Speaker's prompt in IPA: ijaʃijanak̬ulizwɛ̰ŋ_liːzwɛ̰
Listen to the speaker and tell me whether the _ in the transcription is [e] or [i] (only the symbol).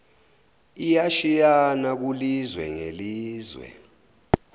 e